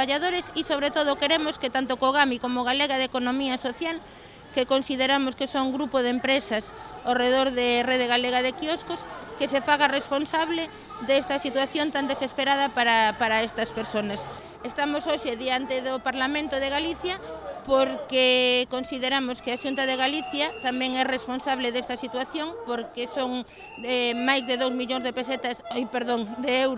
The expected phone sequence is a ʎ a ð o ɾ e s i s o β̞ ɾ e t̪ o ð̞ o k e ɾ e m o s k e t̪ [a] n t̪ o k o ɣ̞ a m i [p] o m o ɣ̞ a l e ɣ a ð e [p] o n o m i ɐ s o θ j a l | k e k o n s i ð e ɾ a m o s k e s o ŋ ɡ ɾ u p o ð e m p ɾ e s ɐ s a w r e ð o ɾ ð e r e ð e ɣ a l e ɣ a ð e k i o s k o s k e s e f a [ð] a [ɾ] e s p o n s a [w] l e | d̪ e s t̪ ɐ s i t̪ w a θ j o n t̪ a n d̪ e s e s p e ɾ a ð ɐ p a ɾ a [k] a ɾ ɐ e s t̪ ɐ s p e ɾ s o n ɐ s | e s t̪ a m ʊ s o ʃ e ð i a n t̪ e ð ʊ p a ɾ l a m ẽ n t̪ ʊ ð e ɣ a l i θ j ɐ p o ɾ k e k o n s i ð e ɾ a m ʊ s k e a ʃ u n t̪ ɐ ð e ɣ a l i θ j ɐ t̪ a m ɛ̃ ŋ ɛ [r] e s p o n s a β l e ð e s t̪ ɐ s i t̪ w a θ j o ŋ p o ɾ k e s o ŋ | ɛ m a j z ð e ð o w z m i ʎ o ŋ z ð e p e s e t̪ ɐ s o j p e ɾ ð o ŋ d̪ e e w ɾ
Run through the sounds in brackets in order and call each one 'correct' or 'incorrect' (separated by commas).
correct, incorrect, incorrect, incorrect, incorrect, incorrect, incorrect, correct